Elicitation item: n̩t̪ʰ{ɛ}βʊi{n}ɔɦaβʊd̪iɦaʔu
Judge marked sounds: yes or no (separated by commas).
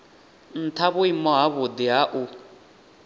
no, no